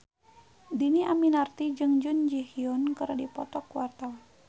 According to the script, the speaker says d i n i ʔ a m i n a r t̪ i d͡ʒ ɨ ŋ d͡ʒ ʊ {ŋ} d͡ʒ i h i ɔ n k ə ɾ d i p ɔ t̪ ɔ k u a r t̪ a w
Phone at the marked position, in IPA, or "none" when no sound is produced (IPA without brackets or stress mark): n